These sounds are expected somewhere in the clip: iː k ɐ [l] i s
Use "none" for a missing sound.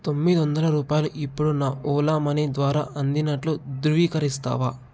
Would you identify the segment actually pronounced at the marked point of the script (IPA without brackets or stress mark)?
ɾ